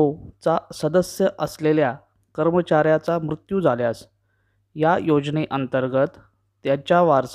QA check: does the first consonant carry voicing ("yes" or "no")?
no